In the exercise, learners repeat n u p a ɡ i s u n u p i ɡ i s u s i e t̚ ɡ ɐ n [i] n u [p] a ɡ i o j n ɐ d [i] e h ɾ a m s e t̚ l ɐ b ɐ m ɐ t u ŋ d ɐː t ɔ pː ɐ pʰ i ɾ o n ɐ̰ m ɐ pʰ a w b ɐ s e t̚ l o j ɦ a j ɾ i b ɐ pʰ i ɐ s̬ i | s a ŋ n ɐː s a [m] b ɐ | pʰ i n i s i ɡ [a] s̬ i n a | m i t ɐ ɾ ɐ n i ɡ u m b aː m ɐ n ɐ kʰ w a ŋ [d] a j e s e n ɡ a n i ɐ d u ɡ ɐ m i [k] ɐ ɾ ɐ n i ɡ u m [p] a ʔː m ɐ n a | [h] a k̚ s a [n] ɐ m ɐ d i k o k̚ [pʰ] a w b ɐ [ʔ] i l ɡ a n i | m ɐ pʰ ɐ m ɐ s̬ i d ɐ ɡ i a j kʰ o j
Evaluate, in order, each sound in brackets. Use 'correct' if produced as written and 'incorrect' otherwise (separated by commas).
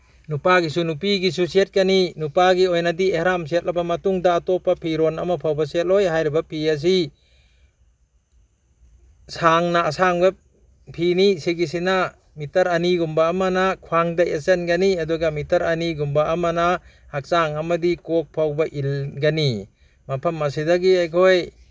correct, correct, correct, incorrect, incorrect, correct, incorrect, incorrect, correct, incorrect, correct, correct